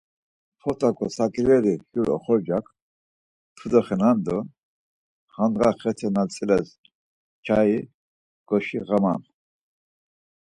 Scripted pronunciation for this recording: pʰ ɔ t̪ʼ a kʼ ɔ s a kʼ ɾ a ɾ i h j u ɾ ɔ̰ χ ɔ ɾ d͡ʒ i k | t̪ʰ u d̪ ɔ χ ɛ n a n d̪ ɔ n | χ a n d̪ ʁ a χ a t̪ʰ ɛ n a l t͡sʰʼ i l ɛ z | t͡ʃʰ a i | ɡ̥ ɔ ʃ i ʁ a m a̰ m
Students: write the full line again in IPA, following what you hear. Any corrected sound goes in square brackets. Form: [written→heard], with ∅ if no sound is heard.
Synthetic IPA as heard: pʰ ɔ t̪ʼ a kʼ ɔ s a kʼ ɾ [a→ɛ] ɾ i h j u ɾ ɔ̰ χ ɔ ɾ d͡ʒ [i→a] k | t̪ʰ u d̪ ɔ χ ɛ n a n d̪ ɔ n | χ a n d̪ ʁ a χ [a→ɛ] t̪ʰ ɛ n a l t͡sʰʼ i l ɛ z | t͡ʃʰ a i | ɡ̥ ɔ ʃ i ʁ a m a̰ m